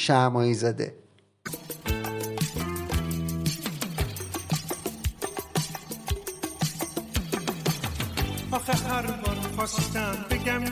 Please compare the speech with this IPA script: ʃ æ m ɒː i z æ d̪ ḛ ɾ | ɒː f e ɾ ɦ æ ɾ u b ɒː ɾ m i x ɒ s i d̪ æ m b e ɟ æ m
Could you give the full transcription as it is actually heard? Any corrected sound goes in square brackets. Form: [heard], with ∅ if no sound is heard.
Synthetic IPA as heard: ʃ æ m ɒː i z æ d̪ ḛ [∅] | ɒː [x] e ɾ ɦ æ ɾ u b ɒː ɾ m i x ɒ s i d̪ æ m b e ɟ æ m